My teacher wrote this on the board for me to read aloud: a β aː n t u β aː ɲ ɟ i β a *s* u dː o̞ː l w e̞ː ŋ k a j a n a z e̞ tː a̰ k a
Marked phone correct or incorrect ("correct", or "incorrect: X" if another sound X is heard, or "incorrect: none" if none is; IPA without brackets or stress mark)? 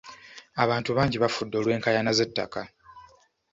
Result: incorrect: f